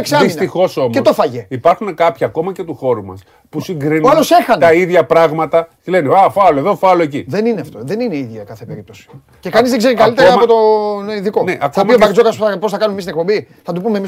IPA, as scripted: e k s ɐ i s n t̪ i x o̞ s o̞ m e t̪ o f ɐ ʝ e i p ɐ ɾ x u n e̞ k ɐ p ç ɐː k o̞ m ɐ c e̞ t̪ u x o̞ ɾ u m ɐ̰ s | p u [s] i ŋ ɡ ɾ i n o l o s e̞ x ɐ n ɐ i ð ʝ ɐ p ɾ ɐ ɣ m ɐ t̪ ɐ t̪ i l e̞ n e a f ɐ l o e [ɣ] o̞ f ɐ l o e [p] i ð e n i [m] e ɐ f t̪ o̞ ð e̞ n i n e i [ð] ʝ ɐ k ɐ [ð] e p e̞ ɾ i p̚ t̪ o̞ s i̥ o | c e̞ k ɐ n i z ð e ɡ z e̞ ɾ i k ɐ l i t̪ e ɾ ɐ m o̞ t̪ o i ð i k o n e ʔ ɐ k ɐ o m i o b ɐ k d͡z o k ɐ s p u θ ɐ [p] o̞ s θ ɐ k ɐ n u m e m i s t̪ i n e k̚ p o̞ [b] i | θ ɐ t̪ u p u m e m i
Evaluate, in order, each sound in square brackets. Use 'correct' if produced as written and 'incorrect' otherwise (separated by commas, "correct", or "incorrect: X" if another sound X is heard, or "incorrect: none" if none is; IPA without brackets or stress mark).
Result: correct, incorrect: ð, incorrect: c, incorrect: n, correct, incorrect: θ, correct, correct